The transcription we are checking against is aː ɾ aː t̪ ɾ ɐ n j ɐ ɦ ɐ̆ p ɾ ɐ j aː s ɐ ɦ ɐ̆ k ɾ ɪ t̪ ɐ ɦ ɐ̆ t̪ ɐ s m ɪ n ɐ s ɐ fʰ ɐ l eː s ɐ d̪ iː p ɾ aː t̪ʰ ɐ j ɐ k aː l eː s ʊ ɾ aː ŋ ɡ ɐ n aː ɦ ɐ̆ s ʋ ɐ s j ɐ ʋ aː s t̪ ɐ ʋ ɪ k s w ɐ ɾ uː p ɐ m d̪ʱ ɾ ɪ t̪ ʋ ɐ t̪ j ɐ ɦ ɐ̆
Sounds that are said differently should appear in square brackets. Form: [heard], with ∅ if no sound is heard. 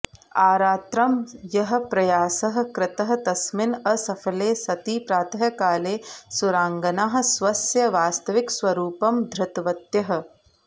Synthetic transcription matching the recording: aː ɾ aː t̪ ɾ ɐ [m] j ɐ ɦ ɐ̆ p ɾ ɐ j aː s ɐ ɦ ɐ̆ k ɾ ɪ t̪ ɐ ɦ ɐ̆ t̪ ɐ s m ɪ n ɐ s ɐ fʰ ɐ l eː s ɐ [t̪] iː p ɾ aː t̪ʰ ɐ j ɐ k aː l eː s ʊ ɾ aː ŋ ɡ ɐ n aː ɦ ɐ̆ s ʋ ɐ s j ɐ ʋ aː s t̪ ɐ ʋ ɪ k s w ɐ ɾ uː p ɐ m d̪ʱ ɾ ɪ t̪ ʋ ɐ t̪ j ɐ ɦ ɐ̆

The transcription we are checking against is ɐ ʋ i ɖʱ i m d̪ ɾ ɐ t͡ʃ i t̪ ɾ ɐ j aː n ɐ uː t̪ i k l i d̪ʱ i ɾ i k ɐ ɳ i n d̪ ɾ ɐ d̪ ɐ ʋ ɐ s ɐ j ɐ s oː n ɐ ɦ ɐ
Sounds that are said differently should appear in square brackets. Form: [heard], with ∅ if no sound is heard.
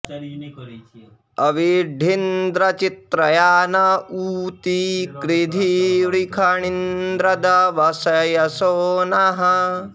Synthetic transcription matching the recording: ɐ ʋ i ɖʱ i [n] d̪ ɾ ɐ t͡ʃ i t̪ ɾ ɐ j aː n ɐ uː t̪ i k [ɾ] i d̪ʱ i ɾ i [kʰ] ɐ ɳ i n d̪ ɾ ɐ d̪ ɐ ʋ ɐ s ɐ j ɐ s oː n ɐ ɦ ɐ

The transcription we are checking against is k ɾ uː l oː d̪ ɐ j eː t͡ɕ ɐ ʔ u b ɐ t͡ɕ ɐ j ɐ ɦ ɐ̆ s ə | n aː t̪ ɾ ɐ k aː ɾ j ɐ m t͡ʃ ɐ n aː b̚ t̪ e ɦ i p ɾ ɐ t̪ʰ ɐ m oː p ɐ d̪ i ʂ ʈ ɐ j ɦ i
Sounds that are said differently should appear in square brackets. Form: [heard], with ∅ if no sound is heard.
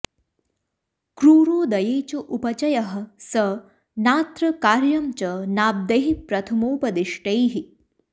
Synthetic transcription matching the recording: k ɾ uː [ɾ] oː d̪ ɐ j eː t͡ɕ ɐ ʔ u [p] ɐ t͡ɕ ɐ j ɐ ɦ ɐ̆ s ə | n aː t̪ ɾ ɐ k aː ɾ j ɐ m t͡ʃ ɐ n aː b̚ [d̪] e ɦ i p ɾ ɐ t̪ʰ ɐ m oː p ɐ d̪ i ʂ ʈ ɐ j ɦ i

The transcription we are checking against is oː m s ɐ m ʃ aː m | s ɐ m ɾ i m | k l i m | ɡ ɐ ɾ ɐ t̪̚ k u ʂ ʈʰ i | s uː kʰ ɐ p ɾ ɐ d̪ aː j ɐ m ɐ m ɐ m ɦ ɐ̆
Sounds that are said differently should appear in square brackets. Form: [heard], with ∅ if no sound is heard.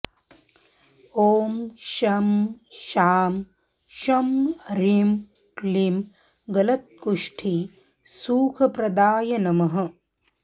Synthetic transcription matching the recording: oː m [ʃ] ɐ m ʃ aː m | [ʃ] ɐ m ɾ i m | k l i m | ɡ ɐ [l] ɐ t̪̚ k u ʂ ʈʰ i | s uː kʰ ɐ p ɾ ɐ d̪ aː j ɐ [n] ɐ m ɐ [∅] ɦ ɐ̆

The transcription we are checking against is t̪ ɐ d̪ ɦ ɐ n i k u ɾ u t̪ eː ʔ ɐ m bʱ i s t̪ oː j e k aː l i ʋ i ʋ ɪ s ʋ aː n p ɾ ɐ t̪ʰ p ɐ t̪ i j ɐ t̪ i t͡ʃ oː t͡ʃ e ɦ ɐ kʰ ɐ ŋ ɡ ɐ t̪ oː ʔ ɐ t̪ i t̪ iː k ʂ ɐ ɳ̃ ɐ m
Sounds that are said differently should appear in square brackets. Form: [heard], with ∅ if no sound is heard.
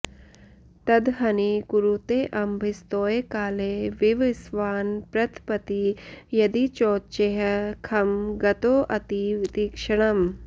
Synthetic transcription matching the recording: t̪ ɐ d̪ ɦ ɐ n i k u ɾ u t̪ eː ʔ ɐ m bʱ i s t̪ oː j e k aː l [e] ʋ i ʋ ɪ s ʋ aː n p ɾ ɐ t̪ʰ p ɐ t̪ i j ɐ [d̪] i t͡ʃ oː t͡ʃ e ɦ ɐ kʰ ɐ [m] ɡ ɐ t̪ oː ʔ ɐ t̪ i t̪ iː k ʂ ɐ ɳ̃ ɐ m

